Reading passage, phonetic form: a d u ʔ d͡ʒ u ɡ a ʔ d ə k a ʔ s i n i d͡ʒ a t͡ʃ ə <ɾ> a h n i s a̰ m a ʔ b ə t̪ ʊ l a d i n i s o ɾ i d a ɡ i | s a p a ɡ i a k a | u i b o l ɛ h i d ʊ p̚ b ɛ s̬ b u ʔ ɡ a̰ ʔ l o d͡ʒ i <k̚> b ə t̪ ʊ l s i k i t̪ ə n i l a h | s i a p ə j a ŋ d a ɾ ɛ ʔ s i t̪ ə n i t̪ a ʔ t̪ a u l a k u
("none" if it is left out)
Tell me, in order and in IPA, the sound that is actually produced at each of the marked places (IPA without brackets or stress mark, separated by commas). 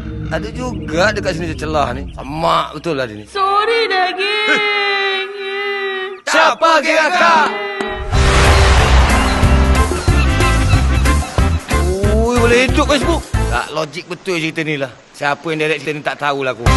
l, k̚